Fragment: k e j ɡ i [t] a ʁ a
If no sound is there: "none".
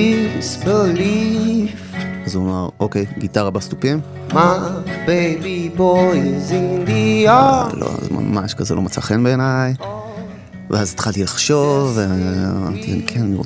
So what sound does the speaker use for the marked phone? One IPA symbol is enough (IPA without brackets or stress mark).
t